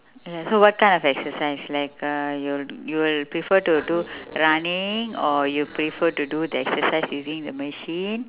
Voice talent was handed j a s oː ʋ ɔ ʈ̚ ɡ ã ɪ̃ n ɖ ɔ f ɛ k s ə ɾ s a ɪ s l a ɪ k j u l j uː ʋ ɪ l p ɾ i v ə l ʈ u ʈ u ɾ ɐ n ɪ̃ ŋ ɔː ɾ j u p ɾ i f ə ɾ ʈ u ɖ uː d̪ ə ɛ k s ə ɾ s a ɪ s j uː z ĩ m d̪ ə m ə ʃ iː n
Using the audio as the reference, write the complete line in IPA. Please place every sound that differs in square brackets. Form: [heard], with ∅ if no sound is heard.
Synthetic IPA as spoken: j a s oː ʋ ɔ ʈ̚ [k] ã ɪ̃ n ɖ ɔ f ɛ k s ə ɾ s a ɪ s l a ɪ k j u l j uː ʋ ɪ l p ɾ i [f] ə [ɾ] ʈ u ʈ u ɾ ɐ n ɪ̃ ŋ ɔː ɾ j u p ɾ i f ə ɾ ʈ u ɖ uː d̪ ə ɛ k s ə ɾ s a ɪ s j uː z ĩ [ŋ] d̪ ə m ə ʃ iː n